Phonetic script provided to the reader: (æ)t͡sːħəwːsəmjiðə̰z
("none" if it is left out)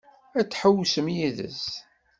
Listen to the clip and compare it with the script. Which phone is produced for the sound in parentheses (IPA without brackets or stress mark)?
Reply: æ